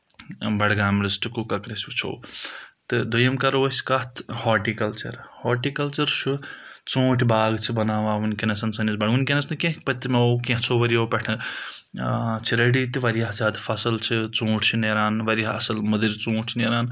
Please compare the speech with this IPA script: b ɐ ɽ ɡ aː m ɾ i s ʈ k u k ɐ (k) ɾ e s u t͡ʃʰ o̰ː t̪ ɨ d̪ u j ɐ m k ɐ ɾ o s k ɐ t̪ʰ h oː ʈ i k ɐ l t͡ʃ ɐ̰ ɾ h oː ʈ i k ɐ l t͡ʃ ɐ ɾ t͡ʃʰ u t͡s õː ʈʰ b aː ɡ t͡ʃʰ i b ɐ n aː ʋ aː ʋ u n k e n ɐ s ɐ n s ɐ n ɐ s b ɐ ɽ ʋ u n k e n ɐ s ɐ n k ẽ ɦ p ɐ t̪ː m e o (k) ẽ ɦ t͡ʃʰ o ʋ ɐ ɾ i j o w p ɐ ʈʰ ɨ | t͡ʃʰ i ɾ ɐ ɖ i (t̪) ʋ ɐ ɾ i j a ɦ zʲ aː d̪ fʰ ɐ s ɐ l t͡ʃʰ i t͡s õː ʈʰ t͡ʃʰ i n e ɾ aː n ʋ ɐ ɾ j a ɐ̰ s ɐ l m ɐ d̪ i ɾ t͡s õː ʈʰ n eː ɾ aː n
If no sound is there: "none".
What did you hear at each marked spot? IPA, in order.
k, k, t̪

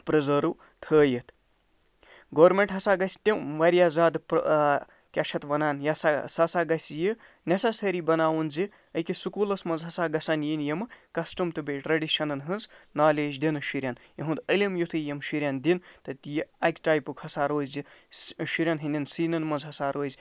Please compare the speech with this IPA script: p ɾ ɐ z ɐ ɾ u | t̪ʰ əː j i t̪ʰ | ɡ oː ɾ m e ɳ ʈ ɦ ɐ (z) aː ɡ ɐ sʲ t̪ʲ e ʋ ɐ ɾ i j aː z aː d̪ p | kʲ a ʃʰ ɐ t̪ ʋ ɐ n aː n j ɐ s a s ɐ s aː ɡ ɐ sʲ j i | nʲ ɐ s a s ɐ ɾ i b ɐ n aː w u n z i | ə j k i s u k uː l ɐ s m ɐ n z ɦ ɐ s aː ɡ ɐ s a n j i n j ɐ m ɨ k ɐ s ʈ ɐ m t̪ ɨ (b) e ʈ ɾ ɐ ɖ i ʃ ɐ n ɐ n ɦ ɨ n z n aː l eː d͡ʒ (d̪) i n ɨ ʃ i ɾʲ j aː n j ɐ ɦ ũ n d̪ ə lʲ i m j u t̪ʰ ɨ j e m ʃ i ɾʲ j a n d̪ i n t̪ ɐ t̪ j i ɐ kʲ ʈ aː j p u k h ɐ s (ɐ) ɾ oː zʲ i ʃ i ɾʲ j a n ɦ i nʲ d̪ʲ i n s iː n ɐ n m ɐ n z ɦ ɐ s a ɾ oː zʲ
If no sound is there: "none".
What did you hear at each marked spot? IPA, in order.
s, b, d̪, a

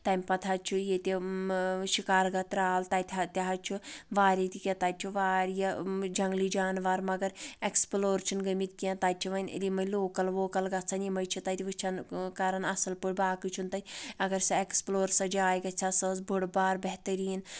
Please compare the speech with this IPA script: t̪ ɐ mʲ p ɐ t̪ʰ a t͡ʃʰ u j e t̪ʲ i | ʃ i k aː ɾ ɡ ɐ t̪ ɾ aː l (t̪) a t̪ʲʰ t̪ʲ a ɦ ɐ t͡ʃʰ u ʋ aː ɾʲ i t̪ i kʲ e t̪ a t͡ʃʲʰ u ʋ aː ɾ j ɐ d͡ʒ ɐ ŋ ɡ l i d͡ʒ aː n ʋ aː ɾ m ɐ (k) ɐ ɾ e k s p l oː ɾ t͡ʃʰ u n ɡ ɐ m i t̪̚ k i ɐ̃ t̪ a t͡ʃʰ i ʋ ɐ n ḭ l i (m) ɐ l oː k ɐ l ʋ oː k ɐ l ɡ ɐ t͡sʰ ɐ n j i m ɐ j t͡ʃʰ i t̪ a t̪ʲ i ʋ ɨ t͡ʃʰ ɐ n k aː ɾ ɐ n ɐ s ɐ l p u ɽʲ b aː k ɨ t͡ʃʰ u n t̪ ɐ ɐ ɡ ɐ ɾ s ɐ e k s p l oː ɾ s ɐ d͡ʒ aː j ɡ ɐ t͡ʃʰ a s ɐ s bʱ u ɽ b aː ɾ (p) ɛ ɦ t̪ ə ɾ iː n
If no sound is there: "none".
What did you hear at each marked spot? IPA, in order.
t̪, ɡ, m, b

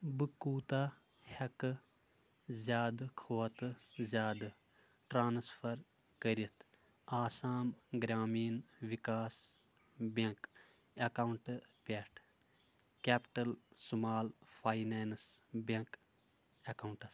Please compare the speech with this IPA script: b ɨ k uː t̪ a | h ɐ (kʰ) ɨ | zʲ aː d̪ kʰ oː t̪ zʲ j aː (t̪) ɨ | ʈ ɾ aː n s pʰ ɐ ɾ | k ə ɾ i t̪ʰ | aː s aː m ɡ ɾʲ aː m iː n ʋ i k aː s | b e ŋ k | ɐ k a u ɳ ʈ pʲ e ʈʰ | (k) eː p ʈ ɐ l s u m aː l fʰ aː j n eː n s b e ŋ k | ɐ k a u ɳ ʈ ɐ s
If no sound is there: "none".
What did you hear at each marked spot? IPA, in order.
k, d̪, k

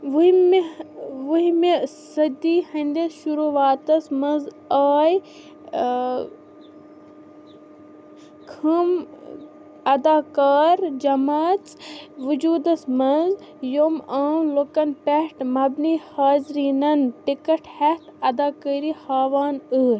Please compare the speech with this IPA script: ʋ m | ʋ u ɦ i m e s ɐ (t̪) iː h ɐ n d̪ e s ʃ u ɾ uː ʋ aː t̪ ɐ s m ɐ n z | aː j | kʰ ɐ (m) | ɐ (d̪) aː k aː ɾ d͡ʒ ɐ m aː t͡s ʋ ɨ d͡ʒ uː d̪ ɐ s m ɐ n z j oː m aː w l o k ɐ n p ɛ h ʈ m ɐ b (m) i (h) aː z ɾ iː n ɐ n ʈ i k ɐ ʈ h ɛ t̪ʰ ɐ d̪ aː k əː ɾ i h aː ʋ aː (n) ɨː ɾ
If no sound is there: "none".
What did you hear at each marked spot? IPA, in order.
d̪, m, d̪, n, h, n

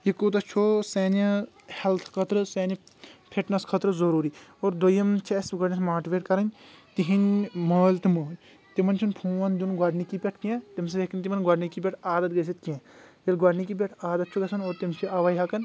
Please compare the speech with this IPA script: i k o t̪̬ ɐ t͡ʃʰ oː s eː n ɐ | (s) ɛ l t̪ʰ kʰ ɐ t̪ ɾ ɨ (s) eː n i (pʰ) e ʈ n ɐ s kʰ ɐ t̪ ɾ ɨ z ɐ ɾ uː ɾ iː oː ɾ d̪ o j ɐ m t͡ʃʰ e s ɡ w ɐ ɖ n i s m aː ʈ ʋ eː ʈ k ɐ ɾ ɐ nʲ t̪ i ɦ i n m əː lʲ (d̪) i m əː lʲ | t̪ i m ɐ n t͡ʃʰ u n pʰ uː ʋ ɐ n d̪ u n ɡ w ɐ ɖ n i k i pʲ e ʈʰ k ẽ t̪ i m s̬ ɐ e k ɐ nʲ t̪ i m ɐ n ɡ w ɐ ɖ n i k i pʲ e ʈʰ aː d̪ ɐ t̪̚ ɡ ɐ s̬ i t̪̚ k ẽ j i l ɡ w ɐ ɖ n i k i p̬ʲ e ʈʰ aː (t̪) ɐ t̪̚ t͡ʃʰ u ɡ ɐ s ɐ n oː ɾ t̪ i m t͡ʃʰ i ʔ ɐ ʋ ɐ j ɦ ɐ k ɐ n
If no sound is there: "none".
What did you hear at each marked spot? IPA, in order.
h, s, pʰ, t̪, d̪

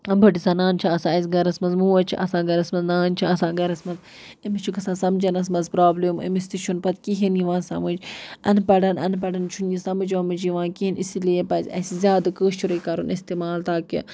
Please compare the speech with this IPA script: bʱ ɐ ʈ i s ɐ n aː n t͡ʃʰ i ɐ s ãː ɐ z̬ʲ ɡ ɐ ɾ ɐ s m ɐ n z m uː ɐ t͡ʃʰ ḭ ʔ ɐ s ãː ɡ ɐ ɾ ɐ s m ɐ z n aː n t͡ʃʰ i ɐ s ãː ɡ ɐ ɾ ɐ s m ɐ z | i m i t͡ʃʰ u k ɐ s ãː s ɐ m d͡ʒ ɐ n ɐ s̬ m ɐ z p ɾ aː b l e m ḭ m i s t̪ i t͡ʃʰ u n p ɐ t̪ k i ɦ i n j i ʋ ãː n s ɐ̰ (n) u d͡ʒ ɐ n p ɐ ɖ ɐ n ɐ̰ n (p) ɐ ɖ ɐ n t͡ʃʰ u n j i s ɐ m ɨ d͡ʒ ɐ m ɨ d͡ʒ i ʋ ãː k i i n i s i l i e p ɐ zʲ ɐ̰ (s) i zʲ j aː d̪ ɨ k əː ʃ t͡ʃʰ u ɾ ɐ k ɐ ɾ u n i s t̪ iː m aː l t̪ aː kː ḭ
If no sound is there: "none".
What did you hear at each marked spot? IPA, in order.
m, p, s

